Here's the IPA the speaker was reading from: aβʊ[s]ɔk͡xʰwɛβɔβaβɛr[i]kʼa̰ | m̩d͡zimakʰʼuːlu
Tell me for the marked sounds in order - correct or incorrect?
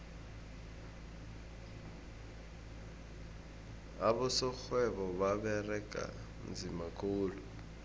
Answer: correct, incorrect: ɛ

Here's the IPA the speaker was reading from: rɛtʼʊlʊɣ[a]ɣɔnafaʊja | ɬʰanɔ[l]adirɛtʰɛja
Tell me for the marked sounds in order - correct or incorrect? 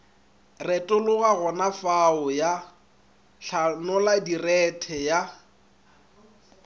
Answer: correct, correct

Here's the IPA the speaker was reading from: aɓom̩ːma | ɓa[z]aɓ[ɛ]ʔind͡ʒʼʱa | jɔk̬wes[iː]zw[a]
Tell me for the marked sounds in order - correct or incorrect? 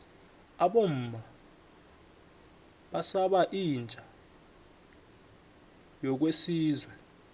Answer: incorrect: s, incorrect: a, correct, incorrect: ɛ

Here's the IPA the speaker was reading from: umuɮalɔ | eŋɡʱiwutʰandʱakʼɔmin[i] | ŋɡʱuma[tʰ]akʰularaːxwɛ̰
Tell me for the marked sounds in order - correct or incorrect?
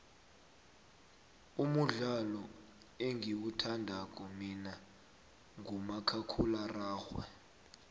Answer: incorrect: a, incorrect: kʰ

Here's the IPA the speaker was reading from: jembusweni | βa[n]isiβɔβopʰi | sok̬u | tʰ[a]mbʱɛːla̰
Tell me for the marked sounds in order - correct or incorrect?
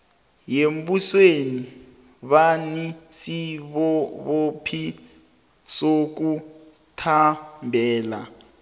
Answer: correct, correct

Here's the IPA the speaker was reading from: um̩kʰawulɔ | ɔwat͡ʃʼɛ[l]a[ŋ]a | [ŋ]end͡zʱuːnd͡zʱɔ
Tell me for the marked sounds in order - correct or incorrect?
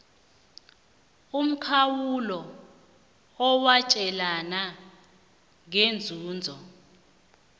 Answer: correct, incorrect: n, correct

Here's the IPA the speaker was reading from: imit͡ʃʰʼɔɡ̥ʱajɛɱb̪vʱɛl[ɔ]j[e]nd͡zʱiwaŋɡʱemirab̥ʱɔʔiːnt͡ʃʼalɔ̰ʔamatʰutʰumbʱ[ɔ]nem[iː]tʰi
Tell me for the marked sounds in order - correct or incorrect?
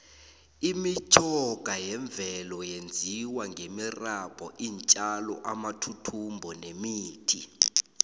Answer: correct, correct, correct, correct

